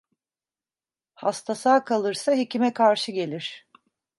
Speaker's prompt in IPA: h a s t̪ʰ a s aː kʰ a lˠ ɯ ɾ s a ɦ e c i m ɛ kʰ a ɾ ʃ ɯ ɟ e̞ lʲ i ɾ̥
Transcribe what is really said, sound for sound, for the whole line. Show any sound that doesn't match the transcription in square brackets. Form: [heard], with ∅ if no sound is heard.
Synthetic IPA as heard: h a s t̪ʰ a s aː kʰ a lˠ ɯ ɾ s a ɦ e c i m ɛ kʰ a ɾ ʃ ɯ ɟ e̞ lʲ i ɾ̥